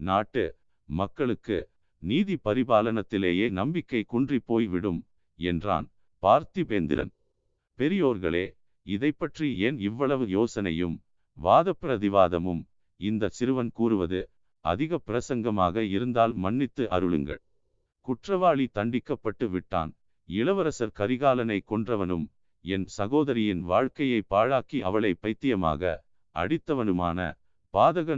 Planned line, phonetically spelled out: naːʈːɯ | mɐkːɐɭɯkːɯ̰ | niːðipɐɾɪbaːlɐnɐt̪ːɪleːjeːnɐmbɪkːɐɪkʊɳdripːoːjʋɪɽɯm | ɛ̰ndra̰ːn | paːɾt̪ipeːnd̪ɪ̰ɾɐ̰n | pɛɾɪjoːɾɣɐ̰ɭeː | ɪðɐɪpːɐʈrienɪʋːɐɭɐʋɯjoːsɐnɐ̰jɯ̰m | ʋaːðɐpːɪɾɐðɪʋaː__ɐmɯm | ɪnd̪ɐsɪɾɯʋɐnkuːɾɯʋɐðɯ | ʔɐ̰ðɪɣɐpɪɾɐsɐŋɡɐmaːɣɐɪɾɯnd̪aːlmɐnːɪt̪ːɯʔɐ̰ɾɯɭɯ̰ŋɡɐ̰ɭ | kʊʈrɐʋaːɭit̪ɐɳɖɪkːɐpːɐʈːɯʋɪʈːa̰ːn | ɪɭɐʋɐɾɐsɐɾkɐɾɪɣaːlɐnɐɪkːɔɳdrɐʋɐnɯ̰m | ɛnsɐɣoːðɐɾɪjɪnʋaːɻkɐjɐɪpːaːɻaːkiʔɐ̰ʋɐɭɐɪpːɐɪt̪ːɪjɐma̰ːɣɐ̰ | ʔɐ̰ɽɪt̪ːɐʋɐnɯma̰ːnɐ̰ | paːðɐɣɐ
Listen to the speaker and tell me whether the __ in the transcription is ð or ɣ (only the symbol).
ð